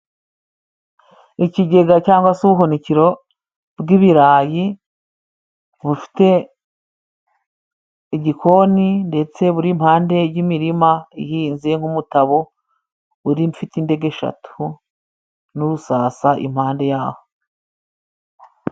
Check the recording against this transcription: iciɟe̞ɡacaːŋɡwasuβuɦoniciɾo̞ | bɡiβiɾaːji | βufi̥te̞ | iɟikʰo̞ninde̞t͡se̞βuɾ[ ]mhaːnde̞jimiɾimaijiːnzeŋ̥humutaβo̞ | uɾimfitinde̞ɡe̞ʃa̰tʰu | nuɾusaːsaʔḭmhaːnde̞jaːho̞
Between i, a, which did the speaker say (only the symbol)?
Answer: i